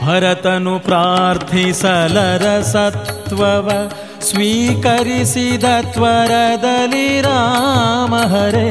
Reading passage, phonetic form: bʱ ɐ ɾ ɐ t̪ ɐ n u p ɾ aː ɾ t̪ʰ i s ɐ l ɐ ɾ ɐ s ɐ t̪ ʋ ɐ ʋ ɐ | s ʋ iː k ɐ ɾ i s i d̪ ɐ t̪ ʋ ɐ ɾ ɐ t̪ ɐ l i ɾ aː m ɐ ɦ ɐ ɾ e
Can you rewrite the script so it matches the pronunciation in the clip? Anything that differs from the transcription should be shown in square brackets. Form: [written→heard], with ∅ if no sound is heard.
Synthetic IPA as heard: bʱ ɐ ɾ ɐ t̪ ɐ n u p ɾ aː ɾ t̪ʰ i s ɐ l ɐ ɾ ɐ s ɐ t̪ ʋ ɐ ʋ ɐ | s ʋ iː k ɐ ɾ i s i d̪ ɐ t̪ ʋ ɐ ɾ ɐ [t̪→d̪] ɐ l i ɾ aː m ɐ ɦ ɐ ɾ e